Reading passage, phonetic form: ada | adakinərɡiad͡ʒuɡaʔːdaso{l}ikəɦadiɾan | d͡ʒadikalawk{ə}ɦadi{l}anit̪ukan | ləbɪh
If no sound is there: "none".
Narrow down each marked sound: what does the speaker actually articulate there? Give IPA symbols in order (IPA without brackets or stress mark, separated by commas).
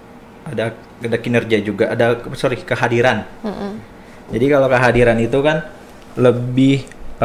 ɾ, ə, ɾ